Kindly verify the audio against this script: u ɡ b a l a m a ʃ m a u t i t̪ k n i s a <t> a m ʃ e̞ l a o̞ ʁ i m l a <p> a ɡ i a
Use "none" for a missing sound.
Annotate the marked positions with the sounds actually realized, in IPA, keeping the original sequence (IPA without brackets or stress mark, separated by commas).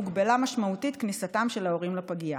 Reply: t, p